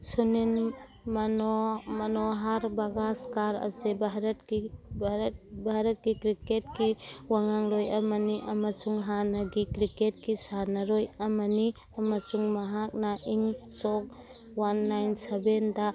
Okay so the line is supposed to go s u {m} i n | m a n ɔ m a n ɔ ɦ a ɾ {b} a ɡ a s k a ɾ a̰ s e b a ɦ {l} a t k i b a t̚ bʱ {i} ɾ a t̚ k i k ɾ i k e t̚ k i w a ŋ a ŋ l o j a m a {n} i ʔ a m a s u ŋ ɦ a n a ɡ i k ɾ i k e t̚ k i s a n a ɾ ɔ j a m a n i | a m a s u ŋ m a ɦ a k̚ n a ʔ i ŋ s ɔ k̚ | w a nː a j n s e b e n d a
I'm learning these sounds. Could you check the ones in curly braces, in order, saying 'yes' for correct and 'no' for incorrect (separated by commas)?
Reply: no, yes, no, no, yes